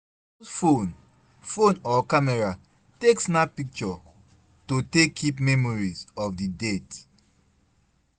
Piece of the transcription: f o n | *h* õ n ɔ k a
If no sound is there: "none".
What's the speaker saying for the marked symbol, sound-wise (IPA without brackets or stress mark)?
f